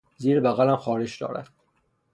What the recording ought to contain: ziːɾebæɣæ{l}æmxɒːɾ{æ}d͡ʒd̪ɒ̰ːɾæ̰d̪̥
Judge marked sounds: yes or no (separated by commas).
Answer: yes, no